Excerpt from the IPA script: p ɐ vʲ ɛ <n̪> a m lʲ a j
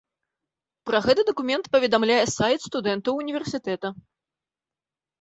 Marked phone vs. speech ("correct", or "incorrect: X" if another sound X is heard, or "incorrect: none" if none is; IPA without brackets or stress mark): incorrect: d̪